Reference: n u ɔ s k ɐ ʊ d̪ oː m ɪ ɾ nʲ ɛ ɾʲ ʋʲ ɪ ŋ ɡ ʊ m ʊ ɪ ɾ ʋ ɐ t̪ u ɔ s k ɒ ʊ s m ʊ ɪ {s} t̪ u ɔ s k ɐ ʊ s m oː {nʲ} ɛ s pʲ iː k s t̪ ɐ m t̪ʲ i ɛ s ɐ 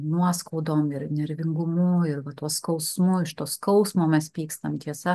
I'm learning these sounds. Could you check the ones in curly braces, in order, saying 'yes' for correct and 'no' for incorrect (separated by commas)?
no, no